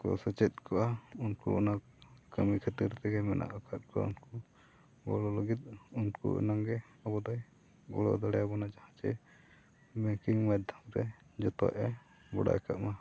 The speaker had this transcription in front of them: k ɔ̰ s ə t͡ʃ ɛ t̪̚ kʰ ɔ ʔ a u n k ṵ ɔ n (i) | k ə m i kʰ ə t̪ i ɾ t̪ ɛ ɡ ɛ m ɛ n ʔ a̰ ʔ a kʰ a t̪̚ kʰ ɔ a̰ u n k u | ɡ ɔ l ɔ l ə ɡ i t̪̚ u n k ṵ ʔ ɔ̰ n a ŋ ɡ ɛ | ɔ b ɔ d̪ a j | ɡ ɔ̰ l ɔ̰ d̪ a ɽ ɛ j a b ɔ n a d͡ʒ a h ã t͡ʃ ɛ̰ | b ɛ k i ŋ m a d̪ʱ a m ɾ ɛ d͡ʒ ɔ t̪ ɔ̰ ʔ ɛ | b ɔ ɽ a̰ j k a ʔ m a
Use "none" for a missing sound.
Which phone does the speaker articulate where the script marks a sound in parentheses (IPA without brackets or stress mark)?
a